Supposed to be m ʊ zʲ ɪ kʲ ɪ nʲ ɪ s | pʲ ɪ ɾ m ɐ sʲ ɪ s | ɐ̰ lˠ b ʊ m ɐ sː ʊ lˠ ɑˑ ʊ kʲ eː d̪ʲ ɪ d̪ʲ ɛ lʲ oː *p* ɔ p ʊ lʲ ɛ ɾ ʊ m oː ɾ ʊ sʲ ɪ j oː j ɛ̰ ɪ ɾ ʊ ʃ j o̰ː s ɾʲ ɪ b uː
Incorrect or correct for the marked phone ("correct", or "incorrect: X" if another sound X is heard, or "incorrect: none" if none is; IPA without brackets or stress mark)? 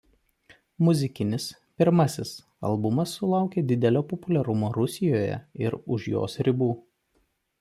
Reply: correct